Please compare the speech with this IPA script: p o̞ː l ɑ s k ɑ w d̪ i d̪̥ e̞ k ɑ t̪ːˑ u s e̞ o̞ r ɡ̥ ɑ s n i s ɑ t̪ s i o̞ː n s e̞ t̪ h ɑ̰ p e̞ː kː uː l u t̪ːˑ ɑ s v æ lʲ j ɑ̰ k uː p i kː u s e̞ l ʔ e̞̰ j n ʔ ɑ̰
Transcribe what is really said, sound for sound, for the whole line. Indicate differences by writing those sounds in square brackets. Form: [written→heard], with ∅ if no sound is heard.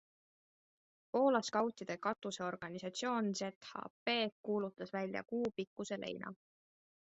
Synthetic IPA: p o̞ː l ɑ s k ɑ w [d̪→t̪] i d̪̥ e̞ k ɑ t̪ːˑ u s e̞ o̞ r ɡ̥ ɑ [s→∅] n i s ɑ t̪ s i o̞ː n s e̞ t̪ h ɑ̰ p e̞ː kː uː l u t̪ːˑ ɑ s v æ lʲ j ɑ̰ k uː p i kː u s e̞ l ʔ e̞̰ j n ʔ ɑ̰